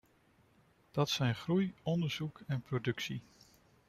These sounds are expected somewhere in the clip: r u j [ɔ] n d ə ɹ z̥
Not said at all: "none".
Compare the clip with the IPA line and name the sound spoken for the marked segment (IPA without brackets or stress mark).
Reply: ɔ